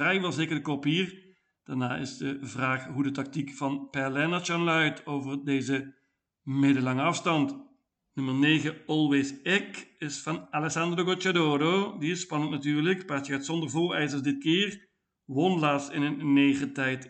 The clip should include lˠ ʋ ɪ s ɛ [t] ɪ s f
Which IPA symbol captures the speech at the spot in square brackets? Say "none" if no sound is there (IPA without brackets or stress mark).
k